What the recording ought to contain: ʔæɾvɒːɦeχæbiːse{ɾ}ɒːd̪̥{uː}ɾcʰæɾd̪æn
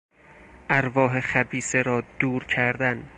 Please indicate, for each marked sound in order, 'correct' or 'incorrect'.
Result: correct, correct

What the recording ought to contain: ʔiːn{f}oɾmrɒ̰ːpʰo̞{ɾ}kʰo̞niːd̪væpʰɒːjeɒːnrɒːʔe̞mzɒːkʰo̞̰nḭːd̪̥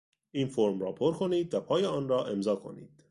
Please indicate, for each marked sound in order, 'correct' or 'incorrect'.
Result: correct, correct

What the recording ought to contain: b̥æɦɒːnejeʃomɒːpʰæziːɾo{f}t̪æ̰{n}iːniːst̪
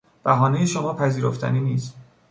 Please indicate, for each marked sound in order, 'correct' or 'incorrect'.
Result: correct, correct

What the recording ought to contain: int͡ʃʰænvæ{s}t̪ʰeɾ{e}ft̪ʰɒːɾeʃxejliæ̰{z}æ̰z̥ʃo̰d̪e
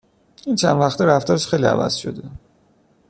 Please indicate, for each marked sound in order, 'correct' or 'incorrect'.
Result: incorrect, incorrect, incorrect

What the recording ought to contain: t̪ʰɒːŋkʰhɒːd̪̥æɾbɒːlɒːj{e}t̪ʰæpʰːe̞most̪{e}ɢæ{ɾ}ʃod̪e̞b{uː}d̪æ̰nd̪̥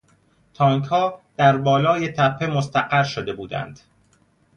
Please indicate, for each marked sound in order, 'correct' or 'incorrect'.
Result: correct, incorrect, correct, correct

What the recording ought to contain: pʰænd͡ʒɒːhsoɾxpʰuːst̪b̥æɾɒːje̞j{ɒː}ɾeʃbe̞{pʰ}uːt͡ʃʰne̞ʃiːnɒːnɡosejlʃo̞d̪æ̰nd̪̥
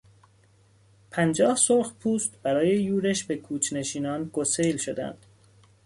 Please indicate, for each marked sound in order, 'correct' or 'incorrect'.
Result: incorrect, incorrect

